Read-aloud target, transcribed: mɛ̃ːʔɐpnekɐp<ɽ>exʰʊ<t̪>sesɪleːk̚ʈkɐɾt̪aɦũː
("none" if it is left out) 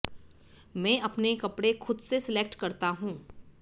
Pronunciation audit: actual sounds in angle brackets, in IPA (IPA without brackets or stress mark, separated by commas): ɽ, d̪